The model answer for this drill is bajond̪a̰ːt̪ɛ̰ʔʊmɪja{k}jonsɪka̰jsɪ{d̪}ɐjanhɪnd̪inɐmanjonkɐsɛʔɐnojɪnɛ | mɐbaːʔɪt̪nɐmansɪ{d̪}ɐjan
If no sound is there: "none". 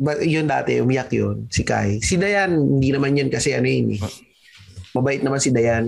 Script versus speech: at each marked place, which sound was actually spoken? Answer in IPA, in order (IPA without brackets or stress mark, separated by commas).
k, d̪, d̪